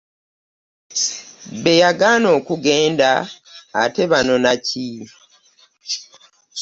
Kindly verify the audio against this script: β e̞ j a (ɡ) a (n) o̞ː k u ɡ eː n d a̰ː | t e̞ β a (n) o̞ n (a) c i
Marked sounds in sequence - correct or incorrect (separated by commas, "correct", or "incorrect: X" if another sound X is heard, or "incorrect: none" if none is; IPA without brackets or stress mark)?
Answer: correct, correct, correct, correct